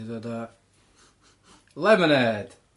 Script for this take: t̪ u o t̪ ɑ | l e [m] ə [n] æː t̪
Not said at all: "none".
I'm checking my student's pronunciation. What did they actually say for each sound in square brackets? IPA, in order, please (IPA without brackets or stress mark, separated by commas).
m, n